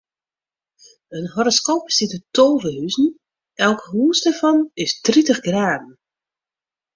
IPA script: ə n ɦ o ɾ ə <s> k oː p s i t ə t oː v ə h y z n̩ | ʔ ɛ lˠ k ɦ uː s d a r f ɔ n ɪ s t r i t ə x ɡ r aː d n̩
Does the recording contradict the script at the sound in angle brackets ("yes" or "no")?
no